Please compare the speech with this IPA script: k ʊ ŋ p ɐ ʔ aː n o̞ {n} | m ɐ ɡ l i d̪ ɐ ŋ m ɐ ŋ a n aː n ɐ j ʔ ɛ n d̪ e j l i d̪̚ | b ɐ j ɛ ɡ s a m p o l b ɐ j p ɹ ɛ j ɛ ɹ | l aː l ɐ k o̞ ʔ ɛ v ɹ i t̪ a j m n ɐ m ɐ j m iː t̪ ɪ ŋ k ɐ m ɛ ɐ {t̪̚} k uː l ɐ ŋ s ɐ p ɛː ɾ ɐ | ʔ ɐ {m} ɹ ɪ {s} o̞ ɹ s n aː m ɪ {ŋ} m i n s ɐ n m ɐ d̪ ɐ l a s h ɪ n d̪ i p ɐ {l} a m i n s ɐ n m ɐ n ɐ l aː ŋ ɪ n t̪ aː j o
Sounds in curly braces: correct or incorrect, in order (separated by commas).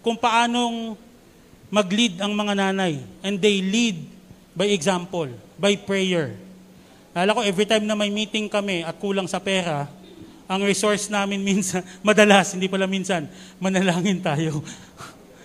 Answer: incorrect, correct, incorrect, correct, incorrect, correct